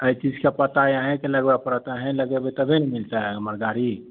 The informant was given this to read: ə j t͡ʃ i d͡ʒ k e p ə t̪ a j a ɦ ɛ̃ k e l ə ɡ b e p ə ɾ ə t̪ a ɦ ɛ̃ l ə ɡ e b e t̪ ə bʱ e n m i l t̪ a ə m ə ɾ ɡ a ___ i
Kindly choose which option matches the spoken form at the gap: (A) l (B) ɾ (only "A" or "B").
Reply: B